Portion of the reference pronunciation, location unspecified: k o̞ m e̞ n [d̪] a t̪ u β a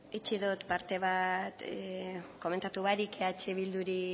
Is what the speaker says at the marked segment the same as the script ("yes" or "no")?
no